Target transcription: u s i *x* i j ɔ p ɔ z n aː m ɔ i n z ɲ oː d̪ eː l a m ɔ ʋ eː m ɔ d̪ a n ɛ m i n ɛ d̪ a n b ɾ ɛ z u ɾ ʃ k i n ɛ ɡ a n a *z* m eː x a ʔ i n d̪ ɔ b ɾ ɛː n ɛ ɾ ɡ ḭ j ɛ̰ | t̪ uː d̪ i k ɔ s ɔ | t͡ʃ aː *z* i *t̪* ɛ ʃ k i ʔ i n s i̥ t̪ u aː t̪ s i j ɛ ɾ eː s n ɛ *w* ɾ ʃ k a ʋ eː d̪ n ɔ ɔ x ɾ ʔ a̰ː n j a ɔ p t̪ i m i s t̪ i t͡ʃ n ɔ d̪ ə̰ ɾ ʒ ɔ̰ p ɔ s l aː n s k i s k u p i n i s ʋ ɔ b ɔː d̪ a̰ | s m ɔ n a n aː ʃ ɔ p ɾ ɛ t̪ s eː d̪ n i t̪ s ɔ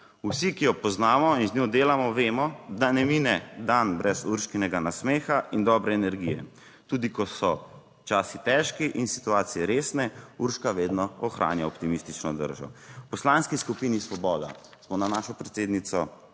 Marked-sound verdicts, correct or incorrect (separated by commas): incorrect, incorrect, incorrect, correct, incorrect